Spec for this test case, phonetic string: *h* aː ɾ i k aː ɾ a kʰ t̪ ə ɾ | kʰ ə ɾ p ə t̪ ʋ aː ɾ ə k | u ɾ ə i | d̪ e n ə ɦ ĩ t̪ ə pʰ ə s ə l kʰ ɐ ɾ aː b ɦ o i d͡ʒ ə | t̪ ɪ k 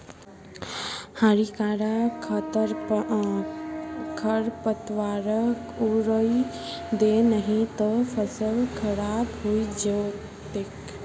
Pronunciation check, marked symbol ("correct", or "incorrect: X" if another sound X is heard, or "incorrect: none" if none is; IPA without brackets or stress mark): correct